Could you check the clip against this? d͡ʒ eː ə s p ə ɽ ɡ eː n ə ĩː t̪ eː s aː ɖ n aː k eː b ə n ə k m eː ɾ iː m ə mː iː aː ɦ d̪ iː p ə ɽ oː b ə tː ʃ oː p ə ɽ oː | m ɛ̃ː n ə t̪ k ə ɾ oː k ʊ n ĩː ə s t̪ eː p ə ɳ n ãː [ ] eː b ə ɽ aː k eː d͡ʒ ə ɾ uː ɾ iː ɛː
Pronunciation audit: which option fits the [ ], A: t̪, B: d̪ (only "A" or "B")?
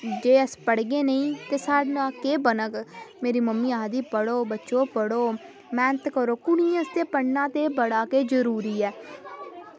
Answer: A